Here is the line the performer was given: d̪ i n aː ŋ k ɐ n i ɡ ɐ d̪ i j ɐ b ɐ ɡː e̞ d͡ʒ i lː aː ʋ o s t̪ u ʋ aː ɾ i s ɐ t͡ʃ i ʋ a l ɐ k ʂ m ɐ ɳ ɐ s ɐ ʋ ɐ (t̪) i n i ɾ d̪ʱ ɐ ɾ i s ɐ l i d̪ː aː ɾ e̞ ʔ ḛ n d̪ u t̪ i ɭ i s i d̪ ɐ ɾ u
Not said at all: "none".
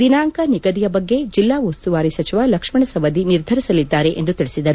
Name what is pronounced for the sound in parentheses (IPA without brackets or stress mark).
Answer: d̪